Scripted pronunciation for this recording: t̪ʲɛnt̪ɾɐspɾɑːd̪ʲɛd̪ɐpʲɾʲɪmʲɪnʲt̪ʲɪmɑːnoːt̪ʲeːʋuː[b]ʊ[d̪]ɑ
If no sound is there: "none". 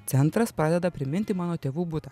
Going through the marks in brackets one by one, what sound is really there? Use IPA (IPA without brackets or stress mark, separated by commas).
b, t̪